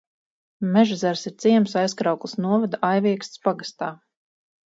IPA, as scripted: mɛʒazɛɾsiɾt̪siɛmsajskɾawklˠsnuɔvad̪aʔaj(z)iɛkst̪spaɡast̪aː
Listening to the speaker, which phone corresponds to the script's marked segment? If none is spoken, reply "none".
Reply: v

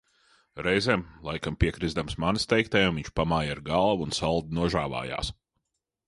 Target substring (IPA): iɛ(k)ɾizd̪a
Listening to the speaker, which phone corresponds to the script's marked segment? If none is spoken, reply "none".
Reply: k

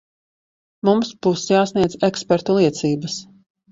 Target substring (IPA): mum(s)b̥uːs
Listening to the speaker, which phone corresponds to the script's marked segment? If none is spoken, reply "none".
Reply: s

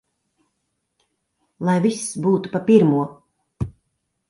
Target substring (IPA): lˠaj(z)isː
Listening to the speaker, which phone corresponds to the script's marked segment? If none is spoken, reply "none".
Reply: v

